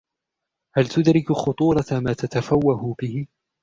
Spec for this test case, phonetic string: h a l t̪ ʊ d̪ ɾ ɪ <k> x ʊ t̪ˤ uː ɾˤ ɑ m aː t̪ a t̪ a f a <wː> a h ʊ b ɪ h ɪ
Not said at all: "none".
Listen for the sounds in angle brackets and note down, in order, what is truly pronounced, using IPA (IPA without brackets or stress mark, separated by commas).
k, wː